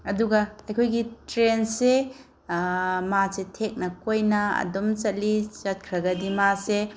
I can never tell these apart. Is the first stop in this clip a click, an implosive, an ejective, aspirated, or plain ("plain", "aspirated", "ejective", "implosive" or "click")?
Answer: plain